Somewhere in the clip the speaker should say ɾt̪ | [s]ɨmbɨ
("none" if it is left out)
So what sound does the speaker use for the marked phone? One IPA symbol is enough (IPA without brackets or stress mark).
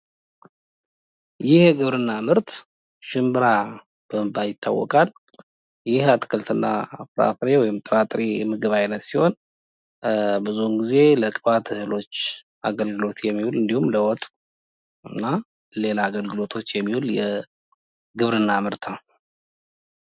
ʃ